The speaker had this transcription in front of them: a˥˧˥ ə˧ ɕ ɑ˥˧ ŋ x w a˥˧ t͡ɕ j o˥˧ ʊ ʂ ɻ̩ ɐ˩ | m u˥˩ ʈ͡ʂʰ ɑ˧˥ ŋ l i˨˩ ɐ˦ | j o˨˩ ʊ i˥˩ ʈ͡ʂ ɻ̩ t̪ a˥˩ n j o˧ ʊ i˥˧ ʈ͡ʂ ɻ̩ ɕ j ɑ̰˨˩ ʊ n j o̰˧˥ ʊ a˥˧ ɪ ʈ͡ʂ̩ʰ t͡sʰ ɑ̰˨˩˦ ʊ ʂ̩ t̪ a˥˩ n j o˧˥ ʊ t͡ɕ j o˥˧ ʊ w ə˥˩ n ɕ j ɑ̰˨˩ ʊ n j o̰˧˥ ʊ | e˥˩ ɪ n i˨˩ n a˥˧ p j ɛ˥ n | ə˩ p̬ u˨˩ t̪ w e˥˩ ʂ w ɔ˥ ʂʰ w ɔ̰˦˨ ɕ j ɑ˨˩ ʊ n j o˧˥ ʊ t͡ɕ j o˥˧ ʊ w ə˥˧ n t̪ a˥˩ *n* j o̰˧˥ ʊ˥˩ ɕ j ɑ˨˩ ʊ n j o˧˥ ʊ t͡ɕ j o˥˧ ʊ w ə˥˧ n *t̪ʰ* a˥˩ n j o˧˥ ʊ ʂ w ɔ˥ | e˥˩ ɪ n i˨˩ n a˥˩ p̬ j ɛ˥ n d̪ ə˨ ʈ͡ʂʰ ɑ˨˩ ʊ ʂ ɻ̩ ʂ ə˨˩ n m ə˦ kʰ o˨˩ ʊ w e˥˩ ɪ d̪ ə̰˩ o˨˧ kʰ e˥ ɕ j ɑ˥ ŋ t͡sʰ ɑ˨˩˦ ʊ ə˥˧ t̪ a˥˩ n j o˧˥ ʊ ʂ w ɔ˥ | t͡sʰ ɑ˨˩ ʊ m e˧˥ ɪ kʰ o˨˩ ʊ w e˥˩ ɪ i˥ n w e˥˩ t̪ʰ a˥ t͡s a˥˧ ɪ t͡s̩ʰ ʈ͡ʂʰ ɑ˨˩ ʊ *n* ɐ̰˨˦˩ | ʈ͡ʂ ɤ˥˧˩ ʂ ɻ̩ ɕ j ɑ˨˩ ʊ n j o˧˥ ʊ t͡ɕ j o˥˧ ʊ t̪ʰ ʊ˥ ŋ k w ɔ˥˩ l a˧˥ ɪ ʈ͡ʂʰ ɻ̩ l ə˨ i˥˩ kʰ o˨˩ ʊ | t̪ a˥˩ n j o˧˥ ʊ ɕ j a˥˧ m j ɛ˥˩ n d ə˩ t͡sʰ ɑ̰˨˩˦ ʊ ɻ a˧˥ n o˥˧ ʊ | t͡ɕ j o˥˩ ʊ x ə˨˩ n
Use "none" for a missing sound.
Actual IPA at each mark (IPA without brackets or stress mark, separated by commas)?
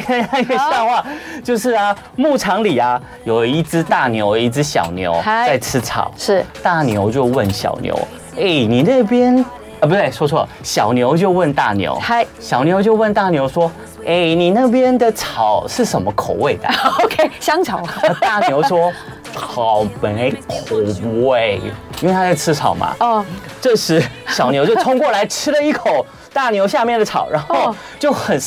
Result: n, t̪, m